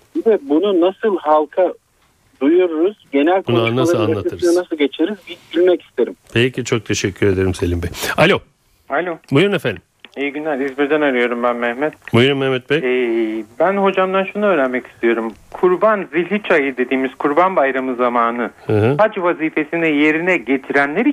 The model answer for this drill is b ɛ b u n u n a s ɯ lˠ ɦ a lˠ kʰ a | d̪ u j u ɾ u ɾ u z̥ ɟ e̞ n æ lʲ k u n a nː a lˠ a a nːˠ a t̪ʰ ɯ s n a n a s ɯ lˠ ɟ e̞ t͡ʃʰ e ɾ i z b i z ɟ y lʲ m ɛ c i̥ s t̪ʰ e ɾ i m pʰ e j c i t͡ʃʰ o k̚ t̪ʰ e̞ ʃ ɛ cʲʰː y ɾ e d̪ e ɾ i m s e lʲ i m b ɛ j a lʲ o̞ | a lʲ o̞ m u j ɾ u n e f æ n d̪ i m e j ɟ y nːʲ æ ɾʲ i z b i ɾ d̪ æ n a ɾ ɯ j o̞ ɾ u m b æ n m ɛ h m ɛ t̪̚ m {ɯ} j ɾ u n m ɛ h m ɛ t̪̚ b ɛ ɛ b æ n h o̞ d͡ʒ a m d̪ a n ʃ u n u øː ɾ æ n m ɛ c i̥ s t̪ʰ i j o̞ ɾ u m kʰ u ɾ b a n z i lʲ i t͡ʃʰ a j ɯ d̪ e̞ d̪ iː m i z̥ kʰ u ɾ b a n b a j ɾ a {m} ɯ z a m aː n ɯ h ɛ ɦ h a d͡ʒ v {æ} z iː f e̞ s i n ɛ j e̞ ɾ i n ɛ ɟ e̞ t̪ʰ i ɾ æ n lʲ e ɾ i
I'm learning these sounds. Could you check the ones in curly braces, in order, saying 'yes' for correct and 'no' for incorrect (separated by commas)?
no, yes, no